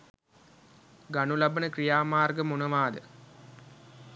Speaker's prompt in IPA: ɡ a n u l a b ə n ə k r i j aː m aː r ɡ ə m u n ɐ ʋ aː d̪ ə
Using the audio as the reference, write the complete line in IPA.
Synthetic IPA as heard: ɡ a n u l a b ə n ə k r i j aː m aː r ɡ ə m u n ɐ ʋ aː d̪ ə